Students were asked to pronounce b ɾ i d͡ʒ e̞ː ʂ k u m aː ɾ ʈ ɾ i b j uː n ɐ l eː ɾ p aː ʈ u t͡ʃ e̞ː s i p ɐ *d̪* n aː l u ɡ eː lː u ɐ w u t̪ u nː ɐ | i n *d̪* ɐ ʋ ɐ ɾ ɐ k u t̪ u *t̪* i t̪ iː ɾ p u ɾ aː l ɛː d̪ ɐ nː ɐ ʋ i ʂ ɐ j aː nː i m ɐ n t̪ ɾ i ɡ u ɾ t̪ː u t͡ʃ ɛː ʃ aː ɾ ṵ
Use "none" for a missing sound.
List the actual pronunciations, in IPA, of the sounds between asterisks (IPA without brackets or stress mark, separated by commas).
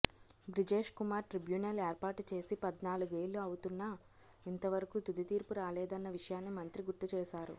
d̪, t̪, d̪